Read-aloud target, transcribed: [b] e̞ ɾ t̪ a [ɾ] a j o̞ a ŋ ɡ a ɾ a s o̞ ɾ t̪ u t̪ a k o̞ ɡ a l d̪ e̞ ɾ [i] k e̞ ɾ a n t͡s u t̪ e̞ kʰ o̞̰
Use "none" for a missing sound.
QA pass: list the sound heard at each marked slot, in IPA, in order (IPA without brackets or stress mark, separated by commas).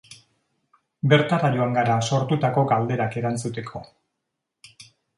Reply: b, ɾ, a